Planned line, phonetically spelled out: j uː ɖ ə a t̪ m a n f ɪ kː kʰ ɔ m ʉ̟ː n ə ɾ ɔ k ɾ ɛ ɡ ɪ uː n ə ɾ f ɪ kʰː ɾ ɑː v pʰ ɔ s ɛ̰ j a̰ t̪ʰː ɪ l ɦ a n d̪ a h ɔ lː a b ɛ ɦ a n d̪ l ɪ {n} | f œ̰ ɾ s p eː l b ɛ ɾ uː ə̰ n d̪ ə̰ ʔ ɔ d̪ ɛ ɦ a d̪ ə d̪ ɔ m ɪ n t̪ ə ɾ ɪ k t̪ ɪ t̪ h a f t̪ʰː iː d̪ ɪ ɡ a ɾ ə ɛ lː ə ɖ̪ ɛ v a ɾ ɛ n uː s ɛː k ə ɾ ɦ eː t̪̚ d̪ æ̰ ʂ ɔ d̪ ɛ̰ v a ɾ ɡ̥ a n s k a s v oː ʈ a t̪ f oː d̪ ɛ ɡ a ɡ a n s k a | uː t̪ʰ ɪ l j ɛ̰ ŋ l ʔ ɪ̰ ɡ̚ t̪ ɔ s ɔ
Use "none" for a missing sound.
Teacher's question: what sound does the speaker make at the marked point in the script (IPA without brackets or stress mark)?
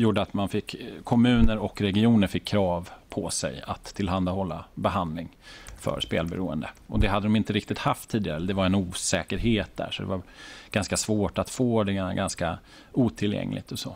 ŋ